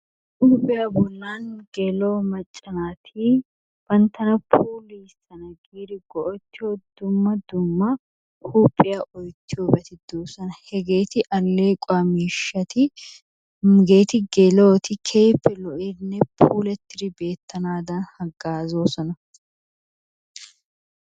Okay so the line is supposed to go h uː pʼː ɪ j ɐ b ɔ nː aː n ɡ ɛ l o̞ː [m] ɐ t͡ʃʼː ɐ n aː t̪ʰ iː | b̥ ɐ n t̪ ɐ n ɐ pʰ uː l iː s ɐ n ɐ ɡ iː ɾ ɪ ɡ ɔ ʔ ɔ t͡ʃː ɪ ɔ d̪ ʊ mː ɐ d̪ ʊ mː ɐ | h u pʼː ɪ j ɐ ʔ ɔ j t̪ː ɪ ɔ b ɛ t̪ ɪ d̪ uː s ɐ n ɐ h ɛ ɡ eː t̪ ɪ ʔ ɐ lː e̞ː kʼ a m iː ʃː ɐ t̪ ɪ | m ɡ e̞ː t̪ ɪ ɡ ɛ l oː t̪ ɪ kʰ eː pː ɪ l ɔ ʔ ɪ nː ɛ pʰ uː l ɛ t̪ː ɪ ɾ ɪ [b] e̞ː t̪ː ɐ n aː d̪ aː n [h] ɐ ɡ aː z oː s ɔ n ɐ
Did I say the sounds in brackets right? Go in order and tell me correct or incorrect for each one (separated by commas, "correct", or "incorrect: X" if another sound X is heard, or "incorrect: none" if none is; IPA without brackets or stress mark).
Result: correct, correct, correct